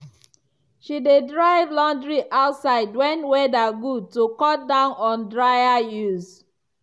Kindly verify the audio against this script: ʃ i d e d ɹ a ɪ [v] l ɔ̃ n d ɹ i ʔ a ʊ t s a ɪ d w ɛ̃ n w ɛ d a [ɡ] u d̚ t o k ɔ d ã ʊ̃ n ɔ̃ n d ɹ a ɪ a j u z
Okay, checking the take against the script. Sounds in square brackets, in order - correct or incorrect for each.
correct, correct

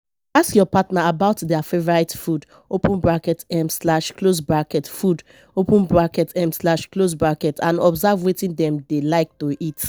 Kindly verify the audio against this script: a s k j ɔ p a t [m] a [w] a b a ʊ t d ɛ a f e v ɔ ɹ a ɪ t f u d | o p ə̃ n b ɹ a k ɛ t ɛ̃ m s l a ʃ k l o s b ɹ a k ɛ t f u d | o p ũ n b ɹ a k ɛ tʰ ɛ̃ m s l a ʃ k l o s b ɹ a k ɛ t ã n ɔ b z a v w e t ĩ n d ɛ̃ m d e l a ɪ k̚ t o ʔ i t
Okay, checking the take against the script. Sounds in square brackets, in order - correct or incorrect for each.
incorrect: n, incorrect: none

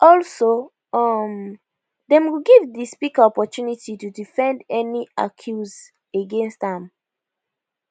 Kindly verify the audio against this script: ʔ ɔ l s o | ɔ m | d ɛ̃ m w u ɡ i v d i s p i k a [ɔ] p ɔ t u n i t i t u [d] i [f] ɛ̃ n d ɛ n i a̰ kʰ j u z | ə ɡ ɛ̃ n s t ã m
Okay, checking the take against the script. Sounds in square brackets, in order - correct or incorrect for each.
correct, correct, correct

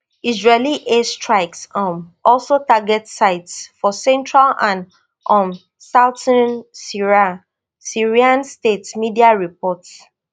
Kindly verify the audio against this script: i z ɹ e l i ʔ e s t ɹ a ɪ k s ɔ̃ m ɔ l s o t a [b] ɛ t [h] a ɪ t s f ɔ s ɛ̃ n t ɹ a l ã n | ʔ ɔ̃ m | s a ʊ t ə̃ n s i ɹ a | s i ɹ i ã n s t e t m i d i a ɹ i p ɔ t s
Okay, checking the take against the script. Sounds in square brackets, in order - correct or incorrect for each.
incorrect: ɡ, incorrect: s

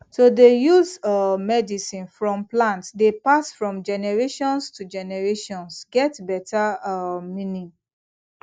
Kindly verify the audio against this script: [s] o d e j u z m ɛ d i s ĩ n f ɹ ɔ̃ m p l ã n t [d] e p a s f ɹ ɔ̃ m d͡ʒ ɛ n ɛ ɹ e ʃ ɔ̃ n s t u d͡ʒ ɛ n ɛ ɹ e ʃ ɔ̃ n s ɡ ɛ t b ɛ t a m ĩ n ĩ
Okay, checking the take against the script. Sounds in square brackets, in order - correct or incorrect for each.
correct, correct

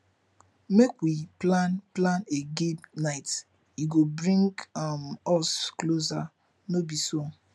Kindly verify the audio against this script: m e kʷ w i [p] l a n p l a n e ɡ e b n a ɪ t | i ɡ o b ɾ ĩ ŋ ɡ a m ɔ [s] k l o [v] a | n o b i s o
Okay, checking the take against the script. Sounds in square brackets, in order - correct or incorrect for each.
correct, correct, incorrect: z

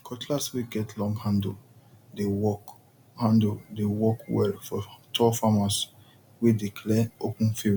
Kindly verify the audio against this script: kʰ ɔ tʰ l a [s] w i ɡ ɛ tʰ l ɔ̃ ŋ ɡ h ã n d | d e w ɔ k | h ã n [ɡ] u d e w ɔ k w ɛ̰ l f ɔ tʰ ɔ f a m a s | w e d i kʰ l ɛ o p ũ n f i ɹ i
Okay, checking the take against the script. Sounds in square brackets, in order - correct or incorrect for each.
correct, incorrect: d

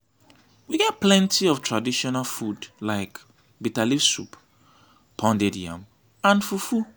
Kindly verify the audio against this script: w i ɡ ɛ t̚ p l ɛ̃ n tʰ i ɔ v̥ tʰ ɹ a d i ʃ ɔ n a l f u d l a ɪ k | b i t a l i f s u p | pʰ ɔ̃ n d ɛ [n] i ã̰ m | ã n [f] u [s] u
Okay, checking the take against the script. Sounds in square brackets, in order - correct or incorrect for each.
incorrect: d, correct, incorrect: f

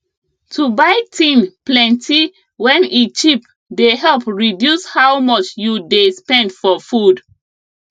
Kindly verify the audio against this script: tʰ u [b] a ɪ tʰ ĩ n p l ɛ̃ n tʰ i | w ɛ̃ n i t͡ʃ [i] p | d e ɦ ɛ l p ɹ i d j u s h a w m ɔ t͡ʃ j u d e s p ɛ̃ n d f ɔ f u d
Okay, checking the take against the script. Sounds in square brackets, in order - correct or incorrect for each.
correct, correct

